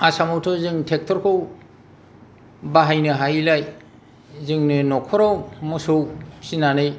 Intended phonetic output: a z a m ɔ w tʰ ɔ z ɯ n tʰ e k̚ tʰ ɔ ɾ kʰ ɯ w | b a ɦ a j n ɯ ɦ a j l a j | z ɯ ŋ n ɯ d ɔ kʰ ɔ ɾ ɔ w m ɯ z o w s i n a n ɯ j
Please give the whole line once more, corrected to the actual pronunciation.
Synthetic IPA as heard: a s a m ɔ w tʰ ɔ z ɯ ŋ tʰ e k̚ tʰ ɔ ɾ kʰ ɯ w | b a ɦ a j n ɯ ɦ a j l a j | z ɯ ŋ n ɯ n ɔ kʰ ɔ ɾ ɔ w m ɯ s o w s i n a n ɯ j